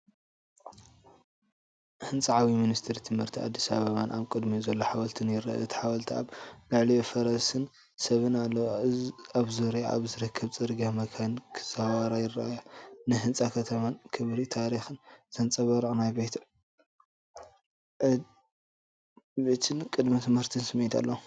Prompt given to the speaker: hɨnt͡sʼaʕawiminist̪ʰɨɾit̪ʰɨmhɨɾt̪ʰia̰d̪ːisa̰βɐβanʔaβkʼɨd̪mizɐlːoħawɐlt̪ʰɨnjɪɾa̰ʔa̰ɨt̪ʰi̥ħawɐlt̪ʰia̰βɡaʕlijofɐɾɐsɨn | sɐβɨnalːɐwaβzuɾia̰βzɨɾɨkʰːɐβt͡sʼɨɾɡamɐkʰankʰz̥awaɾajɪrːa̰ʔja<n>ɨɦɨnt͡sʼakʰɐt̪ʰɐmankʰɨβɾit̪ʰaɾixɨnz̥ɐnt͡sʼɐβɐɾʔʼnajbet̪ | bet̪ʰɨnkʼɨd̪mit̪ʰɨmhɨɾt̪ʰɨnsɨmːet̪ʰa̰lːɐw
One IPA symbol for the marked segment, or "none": n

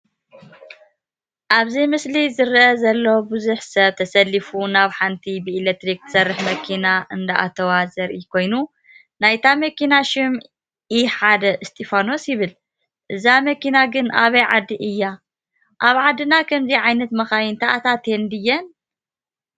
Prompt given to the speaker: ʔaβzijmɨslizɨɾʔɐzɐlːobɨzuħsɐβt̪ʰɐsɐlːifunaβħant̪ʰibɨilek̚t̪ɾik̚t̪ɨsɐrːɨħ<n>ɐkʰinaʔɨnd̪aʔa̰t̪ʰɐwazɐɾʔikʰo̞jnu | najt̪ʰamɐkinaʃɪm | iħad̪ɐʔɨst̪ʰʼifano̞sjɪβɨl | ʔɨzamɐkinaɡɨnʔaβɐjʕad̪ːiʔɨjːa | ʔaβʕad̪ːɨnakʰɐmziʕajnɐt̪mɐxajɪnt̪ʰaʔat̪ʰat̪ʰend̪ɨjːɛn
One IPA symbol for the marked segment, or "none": m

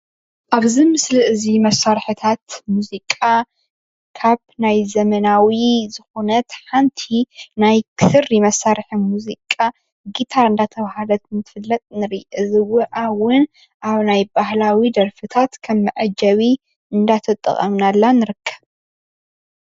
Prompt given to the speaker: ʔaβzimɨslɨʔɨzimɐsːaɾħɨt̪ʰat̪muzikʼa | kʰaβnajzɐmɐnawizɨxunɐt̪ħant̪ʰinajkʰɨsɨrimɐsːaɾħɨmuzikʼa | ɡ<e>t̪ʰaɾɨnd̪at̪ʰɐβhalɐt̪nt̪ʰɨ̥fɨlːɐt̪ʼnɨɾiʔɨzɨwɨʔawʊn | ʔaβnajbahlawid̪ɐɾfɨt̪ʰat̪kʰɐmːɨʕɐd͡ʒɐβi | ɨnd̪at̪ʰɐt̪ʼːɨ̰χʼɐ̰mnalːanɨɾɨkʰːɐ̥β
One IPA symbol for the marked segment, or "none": i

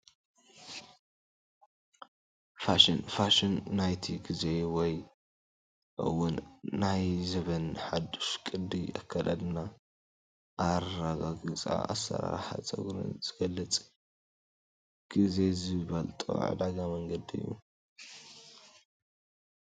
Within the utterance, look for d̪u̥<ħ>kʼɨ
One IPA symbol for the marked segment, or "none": ʃ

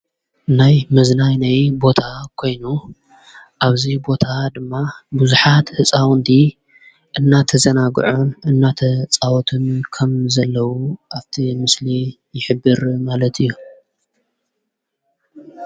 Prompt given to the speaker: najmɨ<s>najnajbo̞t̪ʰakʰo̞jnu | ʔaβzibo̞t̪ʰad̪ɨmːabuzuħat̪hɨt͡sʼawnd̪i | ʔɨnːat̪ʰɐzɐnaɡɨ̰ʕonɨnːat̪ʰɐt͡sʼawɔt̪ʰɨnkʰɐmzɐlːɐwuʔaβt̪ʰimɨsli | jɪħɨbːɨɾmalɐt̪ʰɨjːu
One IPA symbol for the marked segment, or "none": z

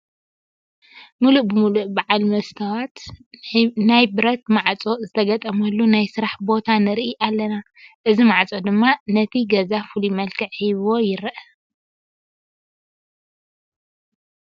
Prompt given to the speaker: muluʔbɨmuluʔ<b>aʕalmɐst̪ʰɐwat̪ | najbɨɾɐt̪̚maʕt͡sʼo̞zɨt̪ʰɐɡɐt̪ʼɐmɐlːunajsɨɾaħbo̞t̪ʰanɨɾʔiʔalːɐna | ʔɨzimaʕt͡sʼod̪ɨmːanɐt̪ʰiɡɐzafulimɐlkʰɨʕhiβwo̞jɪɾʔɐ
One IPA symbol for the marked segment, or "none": b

